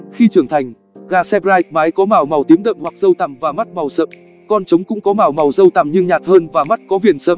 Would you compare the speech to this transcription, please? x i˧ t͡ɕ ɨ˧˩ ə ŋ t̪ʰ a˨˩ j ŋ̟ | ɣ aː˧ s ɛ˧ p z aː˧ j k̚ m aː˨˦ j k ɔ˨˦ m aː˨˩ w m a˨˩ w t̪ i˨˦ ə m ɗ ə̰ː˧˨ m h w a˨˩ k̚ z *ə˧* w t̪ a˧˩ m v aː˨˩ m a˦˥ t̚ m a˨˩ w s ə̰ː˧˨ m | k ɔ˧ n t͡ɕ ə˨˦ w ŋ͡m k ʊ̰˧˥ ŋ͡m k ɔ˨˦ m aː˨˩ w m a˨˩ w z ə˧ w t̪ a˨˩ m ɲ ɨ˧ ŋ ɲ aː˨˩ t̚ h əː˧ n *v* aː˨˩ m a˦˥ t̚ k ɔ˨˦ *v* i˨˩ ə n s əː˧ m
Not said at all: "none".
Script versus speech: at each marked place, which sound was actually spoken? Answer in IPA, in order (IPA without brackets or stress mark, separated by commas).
ə˧, v, v